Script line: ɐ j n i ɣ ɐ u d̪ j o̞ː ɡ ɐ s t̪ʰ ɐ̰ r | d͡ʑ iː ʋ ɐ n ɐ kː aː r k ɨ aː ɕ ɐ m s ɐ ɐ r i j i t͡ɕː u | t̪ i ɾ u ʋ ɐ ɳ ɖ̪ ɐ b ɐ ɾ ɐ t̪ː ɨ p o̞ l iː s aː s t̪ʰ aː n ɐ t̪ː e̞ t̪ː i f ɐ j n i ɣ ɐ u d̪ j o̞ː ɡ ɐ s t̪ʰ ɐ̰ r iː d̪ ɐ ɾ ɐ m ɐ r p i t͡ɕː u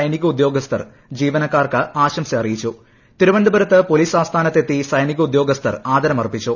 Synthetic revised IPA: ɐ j n i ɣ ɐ u d̪ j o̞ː ɡ ɐ s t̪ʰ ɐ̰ r | d͡ʑ iː ʋ ɐ n ɐ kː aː r k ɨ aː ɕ ɐ m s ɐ ɐ r i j i t͡ɕː u | t̪ i ɾ u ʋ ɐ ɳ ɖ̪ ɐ b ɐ ɾ ɐ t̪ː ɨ p o̞ l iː s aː s t̪ʰ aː n ɐ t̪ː e̞ t̪ː i s ɐ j n i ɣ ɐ u d̪ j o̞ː ɡ ɐ s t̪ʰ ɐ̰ r aː d̪ ɐ ɾ ɐ m ɐ r p i t͡ɕː u